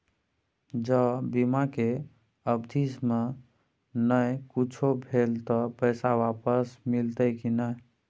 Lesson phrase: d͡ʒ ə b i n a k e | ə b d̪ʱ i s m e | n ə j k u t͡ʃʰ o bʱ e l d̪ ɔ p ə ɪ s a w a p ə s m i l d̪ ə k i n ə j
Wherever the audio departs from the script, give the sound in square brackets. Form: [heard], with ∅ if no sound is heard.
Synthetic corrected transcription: d͡ʒ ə b i [m] a k e | ə b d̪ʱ i s m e | n ə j k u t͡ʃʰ o bʱ e l [t̪] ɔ p ə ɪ s a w a p ə s m i l [t̪] ə k i n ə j